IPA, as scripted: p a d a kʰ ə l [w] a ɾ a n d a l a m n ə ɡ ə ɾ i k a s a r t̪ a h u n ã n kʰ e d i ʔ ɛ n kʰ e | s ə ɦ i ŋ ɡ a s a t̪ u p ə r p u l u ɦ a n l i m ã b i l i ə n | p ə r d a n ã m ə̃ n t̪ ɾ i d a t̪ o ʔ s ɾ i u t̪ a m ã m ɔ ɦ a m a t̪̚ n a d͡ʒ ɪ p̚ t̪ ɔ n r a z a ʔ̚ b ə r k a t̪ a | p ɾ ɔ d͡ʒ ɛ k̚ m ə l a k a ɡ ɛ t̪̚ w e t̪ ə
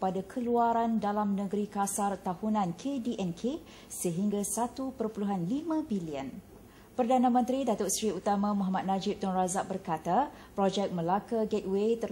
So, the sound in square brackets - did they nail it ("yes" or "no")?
no